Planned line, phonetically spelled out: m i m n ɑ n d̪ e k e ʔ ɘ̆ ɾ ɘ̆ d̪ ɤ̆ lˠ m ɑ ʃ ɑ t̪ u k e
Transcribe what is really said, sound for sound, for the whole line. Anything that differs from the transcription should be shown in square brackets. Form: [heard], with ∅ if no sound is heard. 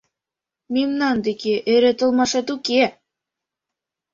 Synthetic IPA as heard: m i m n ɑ n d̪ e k e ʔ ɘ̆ ɾ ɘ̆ [t̪] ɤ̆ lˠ m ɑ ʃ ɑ t̪ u k e

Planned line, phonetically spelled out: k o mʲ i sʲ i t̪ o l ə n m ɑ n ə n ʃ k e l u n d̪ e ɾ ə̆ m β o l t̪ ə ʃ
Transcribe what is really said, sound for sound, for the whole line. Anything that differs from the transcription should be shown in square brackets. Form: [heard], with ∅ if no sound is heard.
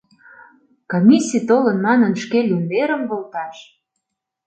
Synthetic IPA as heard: k o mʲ i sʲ i t̪ o l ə n m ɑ n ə n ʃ k e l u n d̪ e ɾ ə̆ m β o l t̪ [ɑ] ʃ

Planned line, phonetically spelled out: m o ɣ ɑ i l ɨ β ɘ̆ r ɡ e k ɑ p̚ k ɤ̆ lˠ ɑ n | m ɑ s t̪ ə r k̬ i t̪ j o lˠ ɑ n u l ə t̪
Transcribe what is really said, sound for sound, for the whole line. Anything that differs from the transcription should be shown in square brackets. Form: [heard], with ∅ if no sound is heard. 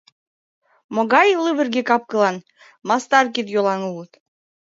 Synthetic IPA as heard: m o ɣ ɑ [j] l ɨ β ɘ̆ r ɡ e k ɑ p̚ k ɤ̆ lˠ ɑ n | m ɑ s t̪ [ɑ] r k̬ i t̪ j o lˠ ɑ n u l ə t̪

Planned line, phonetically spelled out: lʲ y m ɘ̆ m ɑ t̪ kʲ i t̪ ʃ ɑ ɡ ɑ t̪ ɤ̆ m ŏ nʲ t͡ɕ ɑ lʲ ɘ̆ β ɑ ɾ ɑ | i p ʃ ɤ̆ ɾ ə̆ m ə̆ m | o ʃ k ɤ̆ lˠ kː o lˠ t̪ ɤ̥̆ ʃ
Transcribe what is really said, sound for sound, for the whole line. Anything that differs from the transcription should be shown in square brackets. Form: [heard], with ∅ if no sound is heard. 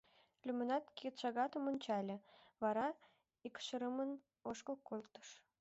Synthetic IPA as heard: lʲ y m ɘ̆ [n] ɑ t̪ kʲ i t̪ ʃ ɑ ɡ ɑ t̪ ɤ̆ m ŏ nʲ t͡ɕ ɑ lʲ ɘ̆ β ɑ ɾ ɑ | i [k] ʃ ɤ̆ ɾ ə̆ m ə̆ [n] | o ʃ k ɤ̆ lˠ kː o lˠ t̪ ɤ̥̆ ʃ

